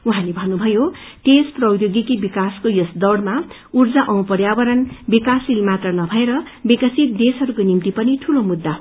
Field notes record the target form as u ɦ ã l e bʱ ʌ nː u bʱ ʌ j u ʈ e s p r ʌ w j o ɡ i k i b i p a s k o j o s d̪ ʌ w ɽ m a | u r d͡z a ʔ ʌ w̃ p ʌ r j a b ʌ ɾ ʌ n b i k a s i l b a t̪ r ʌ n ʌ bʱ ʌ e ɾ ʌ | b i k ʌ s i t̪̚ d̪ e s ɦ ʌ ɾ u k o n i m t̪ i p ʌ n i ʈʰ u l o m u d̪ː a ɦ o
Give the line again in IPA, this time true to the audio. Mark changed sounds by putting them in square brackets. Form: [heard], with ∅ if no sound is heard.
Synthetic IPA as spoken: u ɦ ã l e bʱ ʌ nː u bʱ ʌ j [o] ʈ e s p r ʌ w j o ɡ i k i b i [k] a s k o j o s d̪ ʌ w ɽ m a | u r d͡z a ʔ ʌ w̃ p ʌ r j a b ʌ ɾ ʌ n b i k a s i l [m] a t̪ r ʌ n ʌ bʱ ʌ e ɾ ʌ | b i k ʌ s i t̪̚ d̪ e s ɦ ʌ ɾ u k o n i m t̪ i p ʌ n i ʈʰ u l o m u d̪ː a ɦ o